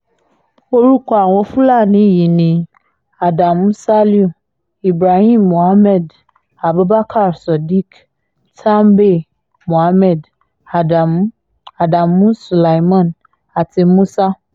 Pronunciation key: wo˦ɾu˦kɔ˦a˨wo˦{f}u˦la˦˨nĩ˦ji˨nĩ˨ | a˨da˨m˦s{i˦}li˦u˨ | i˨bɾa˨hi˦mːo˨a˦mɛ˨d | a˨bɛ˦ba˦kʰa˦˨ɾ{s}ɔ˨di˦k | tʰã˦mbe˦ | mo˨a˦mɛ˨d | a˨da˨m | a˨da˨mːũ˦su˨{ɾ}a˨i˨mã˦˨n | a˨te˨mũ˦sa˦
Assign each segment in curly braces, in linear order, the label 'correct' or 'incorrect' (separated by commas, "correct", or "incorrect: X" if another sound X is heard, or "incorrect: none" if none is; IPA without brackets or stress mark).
correct, incorrect: a˦, correct, incorrect: l